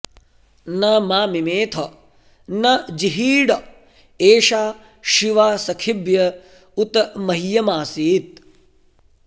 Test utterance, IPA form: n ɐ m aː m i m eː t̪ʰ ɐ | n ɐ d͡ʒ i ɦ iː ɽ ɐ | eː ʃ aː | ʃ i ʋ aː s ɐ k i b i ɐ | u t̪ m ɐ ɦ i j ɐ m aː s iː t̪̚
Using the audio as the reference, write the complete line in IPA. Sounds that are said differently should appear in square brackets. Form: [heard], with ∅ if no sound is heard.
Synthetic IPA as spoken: n ɐ m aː m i m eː t̪ʰ ɐ | n ɐ d͡ʒ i ɦ iː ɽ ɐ | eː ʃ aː | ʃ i ʋ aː s ɐ [kʰ] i b [j] ɐ | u t̪ m ɐ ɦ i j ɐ m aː s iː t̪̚